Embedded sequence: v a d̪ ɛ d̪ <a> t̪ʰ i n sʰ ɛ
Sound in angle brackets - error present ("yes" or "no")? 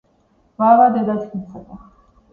no